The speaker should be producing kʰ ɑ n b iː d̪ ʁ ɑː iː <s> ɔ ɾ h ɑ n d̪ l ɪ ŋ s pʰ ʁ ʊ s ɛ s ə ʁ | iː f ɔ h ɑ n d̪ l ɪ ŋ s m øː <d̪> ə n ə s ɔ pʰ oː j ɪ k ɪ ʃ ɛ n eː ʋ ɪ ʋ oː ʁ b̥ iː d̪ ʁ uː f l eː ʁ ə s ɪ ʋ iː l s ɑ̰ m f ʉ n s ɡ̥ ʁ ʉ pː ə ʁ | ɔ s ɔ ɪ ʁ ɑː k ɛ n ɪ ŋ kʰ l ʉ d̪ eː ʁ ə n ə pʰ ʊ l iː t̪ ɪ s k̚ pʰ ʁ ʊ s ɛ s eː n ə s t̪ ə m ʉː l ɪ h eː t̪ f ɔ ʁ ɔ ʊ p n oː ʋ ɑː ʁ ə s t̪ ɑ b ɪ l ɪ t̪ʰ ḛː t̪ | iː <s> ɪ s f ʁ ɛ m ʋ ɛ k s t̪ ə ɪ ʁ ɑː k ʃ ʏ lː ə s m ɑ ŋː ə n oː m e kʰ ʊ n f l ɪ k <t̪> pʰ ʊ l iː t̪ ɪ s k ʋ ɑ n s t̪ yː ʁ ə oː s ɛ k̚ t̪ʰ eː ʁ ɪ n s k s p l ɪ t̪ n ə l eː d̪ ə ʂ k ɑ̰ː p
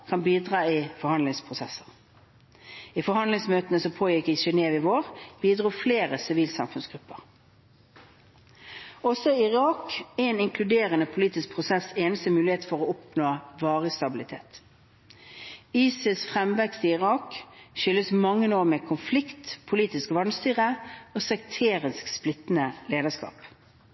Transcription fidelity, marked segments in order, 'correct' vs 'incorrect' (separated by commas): incorrect, incorrect, correct, correct